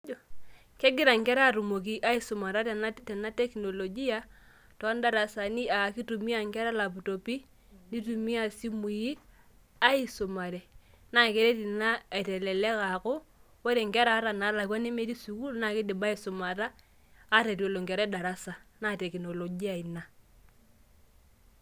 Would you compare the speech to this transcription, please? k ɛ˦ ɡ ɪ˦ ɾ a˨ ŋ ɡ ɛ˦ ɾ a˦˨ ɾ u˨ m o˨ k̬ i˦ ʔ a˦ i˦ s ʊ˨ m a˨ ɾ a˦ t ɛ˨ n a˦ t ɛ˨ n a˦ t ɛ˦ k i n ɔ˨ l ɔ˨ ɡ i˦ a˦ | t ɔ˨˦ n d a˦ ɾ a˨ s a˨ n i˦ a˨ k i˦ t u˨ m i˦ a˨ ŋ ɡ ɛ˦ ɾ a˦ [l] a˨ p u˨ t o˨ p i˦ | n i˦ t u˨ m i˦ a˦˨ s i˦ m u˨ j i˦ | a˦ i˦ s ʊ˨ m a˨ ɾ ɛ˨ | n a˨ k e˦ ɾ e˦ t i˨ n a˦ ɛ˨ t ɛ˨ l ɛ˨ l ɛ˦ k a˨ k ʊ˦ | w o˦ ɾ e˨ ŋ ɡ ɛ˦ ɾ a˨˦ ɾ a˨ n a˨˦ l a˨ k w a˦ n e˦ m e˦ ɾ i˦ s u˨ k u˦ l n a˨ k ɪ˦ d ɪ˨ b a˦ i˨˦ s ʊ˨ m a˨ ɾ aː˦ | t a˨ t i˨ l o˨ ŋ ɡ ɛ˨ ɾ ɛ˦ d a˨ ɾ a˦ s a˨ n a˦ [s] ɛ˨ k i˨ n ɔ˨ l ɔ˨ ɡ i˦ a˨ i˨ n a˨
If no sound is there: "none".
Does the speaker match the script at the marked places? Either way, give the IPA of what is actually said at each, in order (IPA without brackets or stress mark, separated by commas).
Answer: l, t